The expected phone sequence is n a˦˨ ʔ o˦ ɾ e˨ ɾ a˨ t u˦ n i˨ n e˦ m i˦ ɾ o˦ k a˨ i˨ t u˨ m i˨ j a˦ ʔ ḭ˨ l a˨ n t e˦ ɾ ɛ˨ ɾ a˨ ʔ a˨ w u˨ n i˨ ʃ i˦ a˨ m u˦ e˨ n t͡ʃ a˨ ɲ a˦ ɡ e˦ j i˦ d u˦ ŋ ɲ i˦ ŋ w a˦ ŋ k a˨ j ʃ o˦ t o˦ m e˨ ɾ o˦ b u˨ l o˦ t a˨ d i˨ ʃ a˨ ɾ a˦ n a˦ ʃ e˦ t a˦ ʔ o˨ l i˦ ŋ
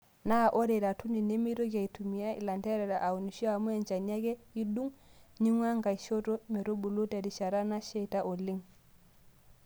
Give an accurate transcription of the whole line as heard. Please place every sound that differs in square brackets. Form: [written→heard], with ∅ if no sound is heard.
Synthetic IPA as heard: n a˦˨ ʔ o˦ ɾ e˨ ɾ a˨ t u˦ n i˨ n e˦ m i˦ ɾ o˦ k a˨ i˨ t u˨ m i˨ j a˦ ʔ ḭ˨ l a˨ n t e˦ ɾ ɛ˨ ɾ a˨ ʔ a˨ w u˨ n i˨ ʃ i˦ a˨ m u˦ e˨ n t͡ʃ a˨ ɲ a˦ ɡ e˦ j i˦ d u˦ ŋ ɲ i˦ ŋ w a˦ ŋ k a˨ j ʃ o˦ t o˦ m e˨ ɾ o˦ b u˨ l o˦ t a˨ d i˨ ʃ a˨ ɾ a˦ n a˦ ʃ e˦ t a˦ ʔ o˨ l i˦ ŋ